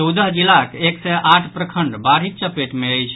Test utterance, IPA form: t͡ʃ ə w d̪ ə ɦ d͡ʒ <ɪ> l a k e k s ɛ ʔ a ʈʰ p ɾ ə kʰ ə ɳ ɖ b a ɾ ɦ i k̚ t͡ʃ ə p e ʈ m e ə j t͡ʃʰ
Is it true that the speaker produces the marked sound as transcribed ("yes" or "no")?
no